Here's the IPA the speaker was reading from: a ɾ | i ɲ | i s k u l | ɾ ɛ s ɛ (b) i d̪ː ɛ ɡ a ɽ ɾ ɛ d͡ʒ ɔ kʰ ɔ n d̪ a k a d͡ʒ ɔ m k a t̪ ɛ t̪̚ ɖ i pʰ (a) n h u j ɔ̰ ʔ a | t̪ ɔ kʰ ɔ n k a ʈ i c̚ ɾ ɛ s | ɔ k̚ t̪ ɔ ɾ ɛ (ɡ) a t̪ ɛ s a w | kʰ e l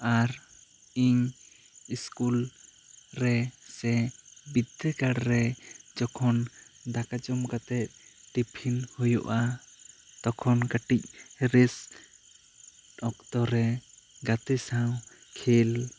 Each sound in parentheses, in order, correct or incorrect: correct, incorrect, correct

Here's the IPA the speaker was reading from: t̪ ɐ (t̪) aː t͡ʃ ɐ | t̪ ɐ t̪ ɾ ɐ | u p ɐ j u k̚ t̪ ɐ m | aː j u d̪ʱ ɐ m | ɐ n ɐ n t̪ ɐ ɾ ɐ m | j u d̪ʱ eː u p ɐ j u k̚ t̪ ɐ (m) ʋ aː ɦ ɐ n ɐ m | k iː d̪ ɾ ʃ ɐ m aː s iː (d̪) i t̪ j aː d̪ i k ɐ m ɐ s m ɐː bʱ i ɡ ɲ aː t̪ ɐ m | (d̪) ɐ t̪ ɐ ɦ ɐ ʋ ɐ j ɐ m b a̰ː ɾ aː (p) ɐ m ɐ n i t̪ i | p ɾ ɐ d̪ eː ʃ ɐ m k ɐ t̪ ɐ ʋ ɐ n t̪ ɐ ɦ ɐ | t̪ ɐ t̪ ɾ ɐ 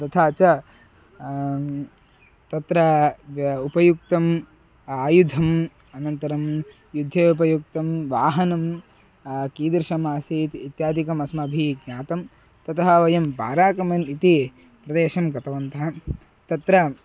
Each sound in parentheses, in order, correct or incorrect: incorrect, correct, incorrect, incorrect, incorrect

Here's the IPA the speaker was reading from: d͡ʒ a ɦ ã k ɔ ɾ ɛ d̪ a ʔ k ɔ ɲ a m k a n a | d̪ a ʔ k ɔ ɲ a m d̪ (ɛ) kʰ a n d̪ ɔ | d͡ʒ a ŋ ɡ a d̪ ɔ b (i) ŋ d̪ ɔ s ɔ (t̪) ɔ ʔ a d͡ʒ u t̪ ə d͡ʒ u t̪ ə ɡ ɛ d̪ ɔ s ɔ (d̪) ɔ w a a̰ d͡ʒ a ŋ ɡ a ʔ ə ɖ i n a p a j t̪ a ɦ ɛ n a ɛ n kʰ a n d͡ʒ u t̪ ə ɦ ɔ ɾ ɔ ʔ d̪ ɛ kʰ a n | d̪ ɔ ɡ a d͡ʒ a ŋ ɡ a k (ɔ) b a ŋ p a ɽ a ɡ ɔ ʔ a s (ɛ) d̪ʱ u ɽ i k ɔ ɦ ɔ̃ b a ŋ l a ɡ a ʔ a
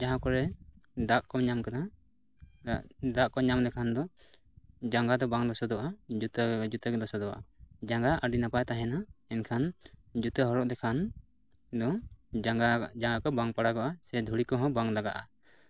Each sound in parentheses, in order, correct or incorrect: correct, incorrect, incorrect, correct, correct, correct

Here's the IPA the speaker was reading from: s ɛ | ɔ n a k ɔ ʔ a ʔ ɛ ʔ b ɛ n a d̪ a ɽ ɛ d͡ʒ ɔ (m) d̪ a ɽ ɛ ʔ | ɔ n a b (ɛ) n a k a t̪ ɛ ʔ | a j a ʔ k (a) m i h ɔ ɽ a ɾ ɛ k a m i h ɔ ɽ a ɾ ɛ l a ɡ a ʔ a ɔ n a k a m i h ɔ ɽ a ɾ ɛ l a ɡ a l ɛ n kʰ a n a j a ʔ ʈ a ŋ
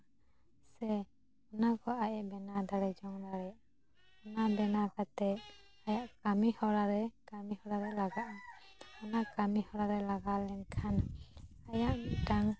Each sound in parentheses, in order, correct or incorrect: incorrect, correct, correct

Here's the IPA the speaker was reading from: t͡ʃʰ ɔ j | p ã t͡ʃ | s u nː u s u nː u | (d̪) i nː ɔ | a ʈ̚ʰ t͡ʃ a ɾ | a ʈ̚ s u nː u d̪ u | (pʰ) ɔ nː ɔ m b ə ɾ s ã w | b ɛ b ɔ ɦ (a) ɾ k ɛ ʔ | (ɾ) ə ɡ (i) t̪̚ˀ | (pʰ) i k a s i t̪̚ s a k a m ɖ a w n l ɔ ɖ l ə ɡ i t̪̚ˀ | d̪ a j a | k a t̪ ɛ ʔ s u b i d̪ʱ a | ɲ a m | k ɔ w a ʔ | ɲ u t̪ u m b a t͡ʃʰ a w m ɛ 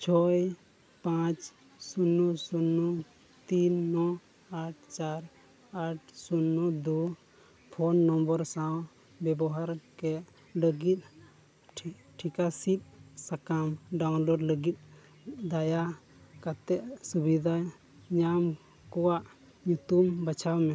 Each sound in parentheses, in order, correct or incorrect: incorrect, correct, correct, incorrect, correct, incorrect

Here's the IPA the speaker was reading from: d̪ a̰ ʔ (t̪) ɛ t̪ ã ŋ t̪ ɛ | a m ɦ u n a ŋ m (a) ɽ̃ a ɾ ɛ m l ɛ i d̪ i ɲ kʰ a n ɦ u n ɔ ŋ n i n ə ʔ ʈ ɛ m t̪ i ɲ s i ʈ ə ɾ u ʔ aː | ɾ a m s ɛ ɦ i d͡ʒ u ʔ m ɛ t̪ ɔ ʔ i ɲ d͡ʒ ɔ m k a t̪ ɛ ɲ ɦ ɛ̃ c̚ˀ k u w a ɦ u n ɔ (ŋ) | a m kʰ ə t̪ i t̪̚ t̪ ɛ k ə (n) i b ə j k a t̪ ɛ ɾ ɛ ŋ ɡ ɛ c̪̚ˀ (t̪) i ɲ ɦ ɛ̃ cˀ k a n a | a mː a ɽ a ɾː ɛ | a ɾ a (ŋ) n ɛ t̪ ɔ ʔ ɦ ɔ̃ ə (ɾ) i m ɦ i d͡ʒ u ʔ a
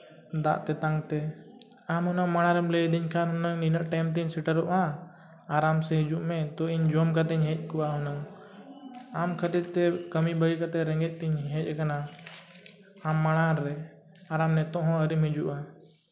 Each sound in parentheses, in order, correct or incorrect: correct, correct, correct, incorrect, correct, incorrect, correct

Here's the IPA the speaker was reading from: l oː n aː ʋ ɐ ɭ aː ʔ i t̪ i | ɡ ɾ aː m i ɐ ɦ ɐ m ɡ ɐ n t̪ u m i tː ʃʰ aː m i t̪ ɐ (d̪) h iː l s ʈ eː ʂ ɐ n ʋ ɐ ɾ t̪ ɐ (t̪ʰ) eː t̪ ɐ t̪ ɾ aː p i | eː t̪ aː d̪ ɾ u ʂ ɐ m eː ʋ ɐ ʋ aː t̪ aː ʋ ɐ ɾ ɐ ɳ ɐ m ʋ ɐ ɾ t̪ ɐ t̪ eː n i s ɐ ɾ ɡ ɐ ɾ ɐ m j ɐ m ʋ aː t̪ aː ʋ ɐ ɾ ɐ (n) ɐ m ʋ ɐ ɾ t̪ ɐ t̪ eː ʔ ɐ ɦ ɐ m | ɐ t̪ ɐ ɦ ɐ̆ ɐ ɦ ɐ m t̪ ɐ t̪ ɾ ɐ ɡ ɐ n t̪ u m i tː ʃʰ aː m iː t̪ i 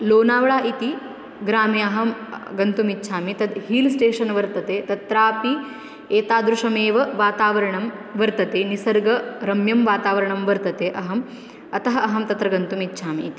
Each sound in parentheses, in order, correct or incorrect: correct, incorrect, incorrect

